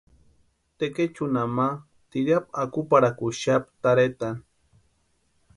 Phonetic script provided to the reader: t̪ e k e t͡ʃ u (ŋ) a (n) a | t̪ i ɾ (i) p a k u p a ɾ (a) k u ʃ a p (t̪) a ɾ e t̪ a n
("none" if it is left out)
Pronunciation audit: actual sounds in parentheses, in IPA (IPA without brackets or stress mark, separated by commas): n, m, a, a, t̪